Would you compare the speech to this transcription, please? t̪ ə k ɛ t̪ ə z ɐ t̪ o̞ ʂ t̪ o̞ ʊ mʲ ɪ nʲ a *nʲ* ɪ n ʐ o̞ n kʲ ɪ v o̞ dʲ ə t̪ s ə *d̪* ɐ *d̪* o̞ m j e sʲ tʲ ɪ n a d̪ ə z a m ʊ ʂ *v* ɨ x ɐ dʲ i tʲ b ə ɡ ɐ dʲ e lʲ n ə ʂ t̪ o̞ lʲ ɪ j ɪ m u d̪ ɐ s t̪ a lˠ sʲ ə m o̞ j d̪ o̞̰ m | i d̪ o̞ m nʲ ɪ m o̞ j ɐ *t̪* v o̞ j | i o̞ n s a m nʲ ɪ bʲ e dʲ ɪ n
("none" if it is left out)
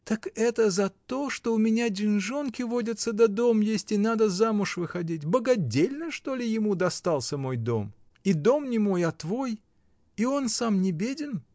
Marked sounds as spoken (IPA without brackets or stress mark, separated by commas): dʲ, d̪, d̪, v, t̪